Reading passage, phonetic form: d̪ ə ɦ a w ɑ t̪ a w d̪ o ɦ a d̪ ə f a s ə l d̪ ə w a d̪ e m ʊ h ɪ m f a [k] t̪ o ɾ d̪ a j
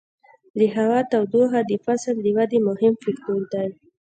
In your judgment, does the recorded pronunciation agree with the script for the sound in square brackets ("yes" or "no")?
yes